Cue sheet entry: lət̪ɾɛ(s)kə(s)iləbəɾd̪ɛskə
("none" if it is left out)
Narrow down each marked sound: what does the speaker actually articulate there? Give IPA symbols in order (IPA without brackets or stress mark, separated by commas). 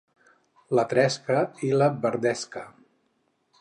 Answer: s, none